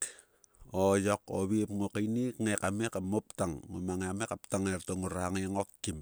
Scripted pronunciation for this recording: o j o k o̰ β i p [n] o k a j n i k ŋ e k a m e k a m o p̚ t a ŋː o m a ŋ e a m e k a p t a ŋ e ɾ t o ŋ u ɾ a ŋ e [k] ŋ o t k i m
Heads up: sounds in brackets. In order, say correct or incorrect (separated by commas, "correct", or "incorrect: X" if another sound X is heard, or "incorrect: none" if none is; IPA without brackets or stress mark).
incorrect: ŋ, incorrect: none